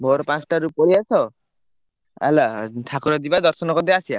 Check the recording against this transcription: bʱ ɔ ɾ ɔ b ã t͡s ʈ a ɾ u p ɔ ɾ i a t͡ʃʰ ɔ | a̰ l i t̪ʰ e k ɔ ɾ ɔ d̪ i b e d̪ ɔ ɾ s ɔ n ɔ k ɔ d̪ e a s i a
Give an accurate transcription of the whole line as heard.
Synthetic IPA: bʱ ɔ ɾ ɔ p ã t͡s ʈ a ɾ u p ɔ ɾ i a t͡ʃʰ ɔ | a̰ l a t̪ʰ a k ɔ ɾ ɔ d̪ i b a d̪ ɔ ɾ s ɔ n ɔ k ɔ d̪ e a s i a